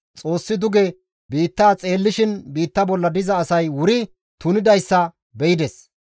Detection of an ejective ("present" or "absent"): present